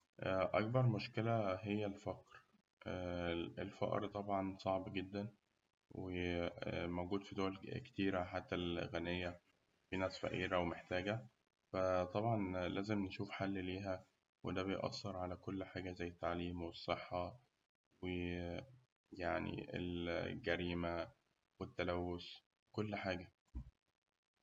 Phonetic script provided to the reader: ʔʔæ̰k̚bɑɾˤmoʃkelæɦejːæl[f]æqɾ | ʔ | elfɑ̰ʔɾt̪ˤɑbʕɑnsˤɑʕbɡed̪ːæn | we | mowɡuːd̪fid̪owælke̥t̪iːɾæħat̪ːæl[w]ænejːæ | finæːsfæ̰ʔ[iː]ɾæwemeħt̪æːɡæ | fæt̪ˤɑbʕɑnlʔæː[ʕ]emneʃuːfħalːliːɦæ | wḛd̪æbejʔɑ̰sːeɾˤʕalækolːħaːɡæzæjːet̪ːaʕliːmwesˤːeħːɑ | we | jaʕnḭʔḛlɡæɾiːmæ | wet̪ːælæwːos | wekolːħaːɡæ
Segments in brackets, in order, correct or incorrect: correct, incorrect, correct, incorrect

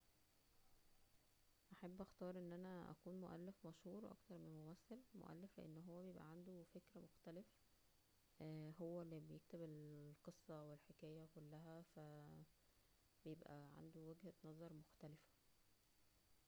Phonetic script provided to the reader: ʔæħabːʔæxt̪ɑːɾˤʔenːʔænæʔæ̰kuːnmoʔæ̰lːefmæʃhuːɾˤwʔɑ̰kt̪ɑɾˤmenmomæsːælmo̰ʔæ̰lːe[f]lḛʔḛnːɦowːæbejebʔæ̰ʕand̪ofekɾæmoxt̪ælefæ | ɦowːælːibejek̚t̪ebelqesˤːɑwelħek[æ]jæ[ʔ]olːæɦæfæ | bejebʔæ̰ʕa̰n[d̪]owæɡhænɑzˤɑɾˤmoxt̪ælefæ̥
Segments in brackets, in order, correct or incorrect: correct, incorrect, incorrect, correct

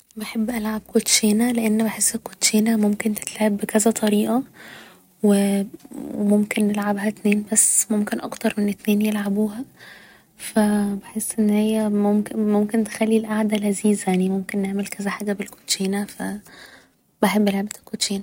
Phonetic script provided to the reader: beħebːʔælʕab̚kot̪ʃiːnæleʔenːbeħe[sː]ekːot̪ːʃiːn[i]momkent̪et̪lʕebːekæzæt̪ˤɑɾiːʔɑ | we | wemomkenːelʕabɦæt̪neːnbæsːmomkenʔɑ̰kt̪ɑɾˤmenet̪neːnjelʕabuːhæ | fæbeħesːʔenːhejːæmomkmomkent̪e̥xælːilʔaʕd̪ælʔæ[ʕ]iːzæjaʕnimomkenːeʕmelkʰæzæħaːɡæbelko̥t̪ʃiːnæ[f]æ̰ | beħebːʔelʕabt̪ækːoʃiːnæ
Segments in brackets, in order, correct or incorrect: correct, incorrect, incorrect, correct

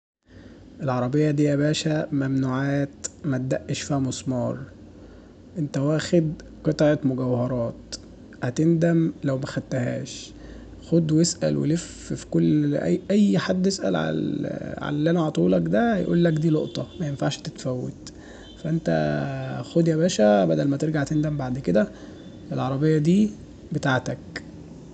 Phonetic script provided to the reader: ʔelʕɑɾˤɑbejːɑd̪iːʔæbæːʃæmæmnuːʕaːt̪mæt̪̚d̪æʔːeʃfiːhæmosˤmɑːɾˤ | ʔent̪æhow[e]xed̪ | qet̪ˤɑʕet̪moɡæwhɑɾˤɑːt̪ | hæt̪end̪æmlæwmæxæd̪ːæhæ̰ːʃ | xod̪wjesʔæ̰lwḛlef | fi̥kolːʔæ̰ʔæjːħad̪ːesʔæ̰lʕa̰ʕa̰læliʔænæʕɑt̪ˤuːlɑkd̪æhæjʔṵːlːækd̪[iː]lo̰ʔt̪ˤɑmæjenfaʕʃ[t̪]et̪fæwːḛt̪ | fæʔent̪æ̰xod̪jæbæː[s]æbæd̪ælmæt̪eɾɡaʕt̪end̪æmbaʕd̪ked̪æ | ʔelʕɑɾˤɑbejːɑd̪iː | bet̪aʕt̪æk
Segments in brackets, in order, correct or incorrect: incorrect, correct, correct, incorrect

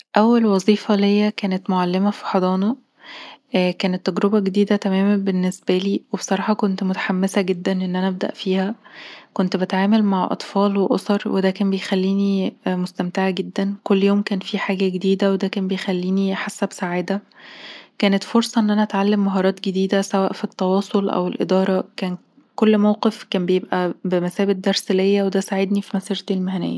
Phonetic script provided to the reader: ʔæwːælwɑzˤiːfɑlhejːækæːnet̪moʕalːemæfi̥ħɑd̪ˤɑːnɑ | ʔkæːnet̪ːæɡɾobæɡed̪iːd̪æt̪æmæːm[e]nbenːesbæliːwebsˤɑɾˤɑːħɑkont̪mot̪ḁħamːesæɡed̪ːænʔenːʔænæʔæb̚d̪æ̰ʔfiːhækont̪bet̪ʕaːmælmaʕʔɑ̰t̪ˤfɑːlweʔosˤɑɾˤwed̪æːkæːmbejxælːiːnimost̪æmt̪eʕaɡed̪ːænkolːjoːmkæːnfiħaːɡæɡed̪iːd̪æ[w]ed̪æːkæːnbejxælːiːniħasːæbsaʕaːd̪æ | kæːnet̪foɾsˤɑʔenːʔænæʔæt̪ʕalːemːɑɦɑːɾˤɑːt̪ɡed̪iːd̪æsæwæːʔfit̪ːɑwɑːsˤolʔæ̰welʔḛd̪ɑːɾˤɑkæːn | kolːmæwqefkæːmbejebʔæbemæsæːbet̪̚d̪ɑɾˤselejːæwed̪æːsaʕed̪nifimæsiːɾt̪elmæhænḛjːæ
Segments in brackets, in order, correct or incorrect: incorrect, correct

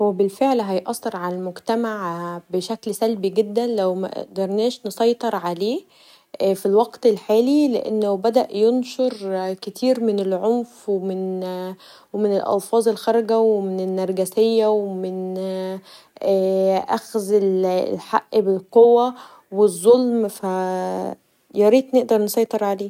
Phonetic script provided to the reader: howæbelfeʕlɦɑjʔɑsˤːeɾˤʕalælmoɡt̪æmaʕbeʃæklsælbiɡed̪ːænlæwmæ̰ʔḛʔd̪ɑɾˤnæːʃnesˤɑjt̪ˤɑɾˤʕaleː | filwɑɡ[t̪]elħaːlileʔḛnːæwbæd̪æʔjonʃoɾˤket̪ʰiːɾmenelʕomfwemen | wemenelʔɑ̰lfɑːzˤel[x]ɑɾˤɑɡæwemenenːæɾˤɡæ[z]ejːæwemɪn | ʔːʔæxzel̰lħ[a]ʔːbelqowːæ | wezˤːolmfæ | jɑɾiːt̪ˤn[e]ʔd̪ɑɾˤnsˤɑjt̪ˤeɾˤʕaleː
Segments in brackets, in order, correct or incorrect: correct, correct, incorrect, correct, correct

